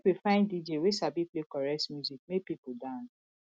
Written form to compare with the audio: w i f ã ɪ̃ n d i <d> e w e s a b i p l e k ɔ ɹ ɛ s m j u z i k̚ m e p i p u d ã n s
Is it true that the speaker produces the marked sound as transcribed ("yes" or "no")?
no